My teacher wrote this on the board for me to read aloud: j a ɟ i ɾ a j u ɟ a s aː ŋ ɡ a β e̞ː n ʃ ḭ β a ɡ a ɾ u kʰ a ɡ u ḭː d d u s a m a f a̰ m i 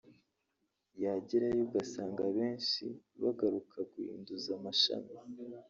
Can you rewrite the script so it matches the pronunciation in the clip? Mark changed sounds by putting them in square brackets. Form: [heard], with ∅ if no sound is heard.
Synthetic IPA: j a ɟ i ɾ a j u [ɡ] a s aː ŋ ɡ a β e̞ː n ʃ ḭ β a ɡ a ɾ u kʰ a ɡ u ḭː [n] d u [z] a m a [ʃ] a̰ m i